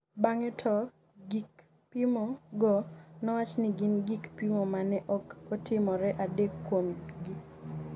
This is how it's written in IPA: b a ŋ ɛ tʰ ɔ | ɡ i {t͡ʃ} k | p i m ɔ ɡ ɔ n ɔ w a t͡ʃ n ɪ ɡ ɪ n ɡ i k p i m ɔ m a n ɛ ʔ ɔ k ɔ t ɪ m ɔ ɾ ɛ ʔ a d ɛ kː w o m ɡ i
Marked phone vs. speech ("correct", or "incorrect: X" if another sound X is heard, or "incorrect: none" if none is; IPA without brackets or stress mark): incorrect: none